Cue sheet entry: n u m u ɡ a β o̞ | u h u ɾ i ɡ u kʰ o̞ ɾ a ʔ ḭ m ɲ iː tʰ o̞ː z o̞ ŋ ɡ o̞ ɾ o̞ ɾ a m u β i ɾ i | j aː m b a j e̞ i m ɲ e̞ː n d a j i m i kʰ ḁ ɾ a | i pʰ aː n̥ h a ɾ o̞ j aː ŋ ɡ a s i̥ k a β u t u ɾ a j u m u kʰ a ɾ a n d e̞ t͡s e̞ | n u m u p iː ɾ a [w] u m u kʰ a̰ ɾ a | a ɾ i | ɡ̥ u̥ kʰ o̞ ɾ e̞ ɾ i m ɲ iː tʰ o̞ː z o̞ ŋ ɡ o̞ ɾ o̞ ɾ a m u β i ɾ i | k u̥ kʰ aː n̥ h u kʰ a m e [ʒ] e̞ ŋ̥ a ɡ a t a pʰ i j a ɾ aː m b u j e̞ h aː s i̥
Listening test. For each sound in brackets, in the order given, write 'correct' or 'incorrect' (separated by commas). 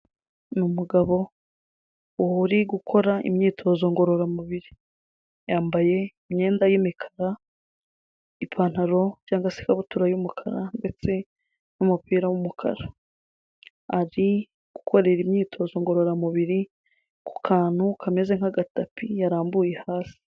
correct, incorrect